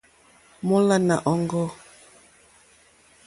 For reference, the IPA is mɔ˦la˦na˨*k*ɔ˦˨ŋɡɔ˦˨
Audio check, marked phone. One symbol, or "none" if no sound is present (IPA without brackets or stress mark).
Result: ʔ